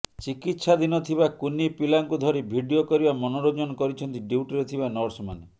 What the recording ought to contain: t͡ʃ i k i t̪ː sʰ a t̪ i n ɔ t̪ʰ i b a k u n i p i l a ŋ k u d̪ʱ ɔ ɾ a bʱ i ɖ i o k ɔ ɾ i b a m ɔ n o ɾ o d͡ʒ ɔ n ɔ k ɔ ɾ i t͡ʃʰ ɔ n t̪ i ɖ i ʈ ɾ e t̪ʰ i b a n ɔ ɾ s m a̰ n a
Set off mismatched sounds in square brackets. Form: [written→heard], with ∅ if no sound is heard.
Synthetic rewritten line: t͡ʃ i k i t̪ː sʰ a [t̪→d̪] i n ɔ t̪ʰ i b a k u n i p i l a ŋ k u d̪ʱ ɔ ɾ [a→i] bʱ i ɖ i o k ɔ ɾ i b a m ɔ n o ɾ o d͡ʒ ɔ n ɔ k ɔ ɾ i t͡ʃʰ ɔ n t̪ i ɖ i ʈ ɾ e t̪ʰ i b a n ɔ ɾ s m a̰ n [a→e]